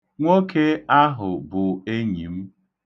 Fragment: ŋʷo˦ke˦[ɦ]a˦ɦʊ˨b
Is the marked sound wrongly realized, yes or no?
yes